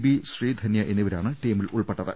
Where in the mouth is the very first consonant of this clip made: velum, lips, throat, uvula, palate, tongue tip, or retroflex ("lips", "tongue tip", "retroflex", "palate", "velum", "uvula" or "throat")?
lips